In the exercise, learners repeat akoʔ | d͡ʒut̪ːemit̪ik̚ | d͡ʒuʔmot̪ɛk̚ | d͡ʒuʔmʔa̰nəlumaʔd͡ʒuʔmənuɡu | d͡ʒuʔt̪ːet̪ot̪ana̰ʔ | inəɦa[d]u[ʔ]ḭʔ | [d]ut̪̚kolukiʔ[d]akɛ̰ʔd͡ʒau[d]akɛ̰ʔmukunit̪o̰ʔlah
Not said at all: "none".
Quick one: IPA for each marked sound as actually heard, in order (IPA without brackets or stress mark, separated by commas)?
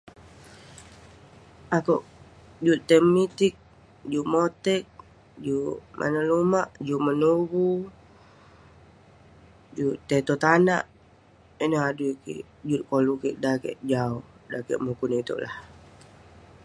d, k, d͡ʒ, d, d